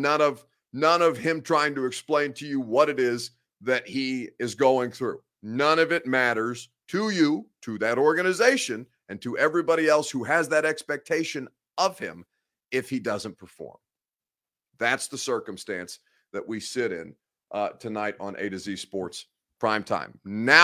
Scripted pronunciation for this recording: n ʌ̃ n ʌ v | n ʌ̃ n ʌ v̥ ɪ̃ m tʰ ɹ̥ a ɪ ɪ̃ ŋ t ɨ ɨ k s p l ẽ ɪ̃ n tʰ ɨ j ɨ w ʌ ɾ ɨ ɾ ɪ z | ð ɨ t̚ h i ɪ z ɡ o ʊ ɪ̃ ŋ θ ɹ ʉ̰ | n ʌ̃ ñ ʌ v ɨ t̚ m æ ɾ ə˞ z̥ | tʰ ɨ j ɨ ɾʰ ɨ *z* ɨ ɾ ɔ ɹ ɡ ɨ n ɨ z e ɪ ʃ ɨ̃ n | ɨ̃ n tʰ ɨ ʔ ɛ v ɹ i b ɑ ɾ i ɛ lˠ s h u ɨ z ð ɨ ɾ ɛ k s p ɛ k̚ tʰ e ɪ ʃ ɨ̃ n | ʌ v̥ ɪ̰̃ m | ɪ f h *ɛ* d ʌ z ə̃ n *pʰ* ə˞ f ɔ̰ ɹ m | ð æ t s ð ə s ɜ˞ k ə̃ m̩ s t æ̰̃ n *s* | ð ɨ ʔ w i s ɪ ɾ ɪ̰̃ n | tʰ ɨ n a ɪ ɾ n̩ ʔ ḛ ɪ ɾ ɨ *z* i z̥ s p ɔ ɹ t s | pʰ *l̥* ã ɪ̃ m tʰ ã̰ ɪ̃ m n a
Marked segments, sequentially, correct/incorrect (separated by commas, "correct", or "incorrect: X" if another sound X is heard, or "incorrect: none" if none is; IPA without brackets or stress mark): incorrect: ð, incorrect: i, correct, correct, correct, incorrect: ɹ̥